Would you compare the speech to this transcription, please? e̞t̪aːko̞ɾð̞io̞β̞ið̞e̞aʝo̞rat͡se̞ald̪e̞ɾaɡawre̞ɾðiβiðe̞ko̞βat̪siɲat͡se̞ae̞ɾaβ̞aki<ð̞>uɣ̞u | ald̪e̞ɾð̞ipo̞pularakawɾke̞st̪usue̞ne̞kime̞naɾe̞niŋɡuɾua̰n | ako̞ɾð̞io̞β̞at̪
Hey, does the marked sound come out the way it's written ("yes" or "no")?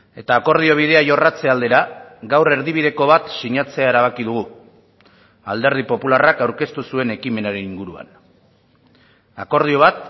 yes